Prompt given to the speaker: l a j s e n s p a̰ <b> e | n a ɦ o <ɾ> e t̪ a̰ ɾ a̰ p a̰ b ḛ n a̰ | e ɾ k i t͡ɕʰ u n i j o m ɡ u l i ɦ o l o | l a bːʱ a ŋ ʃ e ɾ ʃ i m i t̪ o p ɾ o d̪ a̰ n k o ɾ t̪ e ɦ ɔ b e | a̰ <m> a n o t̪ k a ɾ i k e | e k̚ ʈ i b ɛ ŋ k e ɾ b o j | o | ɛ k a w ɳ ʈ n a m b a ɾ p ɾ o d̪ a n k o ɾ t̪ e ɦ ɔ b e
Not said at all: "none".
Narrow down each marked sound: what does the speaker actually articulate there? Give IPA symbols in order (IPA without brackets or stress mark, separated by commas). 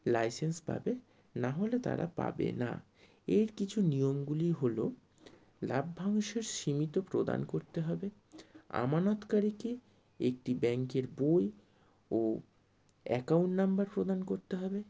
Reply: b, l, m